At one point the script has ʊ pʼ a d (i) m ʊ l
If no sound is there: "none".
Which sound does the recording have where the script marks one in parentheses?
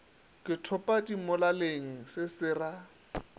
i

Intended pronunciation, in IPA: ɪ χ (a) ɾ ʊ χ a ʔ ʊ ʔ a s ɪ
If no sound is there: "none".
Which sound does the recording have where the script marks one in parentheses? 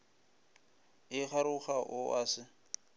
a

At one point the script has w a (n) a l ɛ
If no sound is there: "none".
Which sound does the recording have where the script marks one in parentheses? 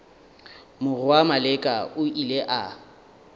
m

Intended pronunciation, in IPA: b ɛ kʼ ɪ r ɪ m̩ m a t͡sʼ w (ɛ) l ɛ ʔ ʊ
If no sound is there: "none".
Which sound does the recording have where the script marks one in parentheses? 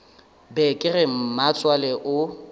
a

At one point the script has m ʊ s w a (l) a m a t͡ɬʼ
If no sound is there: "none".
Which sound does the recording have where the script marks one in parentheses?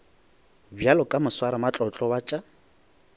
ɾ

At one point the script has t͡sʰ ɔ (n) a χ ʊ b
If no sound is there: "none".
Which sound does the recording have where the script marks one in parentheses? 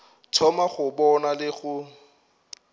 m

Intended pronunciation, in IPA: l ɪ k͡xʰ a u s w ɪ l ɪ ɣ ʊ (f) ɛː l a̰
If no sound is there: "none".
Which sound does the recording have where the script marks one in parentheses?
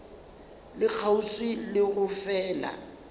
f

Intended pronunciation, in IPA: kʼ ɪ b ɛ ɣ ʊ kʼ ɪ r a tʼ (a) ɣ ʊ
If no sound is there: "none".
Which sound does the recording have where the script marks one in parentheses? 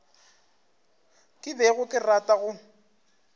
a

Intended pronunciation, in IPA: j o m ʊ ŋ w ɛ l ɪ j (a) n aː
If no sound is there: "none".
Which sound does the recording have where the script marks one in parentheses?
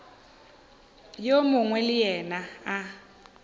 ɛ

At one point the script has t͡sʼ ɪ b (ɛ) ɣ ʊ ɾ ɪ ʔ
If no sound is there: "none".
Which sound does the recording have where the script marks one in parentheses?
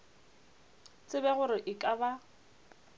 ɛ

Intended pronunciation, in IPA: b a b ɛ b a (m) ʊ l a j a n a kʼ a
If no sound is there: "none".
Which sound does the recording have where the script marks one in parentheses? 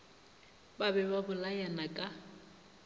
b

